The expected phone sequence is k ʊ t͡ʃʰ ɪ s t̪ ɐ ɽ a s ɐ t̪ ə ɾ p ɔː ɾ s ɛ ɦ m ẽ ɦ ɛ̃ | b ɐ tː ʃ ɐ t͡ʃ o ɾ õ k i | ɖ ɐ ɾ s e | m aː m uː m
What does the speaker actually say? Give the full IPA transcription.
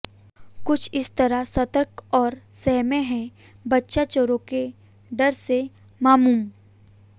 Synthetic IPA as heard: k ʊ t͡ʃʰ ɪ s t̪ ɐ ɾ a s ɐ t̪ ə ɾ k ɔː ɾ s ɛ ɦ m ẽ ɦ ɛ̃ | b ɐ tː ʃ a t͡ʃ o ɾ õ k e | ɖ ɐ ɾ s e | m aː m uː m